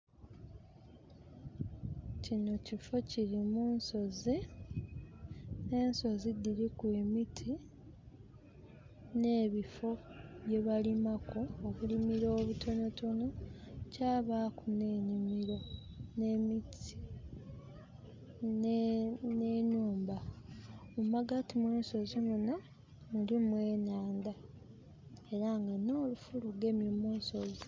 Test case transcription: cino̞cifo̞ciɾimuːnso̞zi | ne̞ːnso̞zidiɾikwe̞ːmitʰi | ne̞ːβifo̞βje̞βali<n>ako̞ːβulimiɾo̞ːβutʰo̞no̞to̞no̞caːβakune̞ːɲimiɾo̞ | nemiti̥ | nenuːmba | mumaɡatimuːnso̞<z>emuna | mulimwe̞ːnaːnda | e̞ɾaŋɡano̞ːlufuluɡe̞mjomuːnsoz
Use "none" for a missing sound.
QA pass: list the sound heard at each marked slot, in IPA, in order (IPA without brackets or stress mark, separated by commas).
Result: m, z